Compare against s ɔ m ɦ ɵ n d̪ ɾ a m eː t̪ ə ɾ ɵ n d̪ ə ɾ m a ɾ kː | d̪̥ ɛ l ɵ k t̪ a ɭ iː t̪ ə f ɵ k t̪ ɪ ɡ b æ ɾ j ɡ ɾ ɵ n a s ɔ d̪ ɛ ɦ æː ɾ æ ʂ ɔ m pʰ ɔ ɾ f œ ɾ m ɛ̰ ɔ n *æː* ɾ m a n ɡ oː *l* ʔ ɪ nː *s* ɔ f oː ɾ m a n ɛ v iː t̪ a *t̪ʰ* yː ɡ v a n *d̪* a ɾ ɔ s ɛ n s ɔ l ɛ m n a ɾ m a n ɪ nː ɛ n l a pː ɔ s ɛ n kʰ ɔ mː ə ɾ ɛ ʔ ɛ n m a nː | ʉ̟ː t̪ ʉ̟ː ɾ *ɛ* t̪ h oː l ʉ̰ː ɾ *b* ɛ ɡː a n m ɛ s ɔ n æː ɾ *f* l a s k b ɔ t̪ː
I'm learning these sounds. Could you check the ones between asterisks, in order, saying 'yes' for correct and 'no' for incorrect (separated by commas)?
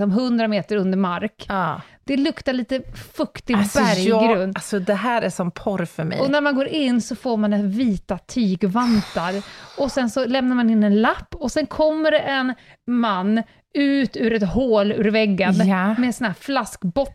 no, no, yes, yes, no, yes, no, yes